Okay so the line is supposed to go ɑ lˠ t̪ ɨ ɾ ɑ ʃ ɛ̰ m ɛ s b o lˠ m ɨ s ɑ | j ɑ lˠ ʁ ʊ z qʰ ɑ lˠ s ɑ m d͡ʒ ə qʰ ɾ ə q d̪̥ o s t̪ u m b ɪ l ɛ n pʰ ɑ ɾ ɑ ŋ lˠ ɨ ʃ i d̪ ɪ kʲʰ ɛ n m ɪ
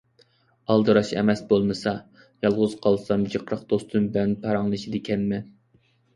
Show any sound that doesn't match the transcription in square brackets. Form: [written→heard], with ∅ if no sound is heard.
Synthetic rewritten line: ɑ lˠ [t̪→d̪] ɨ ɾ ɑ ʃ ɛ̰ m ɛ s b o lˠ m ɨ s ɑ | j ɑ lˠ ʁ ʊ z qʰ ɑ lˠ s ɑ m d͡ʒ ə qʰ ɾ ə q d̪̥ o s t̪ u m b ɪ l ɛ n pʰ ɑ ɾ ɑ ŋ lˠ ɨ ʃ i d̪ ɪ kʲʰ ɛ n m ɪ